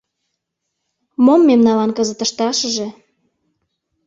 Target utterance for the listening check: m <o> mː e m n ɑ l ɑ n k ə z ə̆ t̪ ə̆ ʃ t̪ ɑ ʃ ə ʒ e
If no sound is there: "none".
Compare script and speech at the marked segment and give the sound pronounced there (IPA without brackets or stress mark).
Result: o